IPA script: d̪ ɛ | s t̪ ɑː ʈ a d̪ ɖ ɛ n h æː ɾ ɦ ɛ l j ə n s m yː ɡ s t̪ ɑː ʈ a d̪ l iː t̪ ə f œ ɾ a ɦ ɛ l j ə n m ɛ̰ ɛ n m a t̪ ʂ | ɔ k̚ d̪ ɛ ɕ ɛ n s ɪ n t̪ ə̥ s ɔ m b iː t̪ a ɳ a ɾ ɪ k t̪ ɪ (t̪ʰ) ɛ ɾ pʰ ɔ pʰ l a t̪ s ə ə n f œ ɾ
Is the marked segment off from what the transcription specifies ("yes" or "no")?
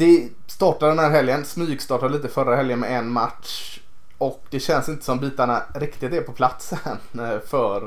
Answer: yes